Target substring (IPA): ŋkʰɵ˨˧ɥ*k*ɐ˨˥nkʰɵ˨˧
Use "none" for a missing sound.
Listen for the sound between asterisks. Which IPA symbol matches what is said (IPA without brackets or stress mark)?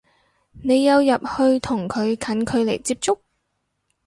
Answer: kʰ